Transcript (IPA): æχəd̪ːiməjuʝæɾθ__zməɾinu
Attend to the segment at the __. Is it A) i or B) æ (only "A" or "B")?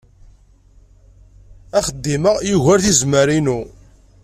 A